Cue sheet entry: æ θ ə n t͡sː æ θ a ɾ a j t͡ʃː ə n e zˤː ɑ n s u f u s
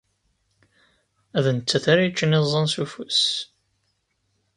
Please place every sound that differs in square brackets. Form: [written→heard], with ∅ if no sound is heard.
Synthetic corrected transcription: æ [θ→ð] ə n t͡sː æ θ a ɾ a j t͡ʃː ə n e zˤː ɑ n s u f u s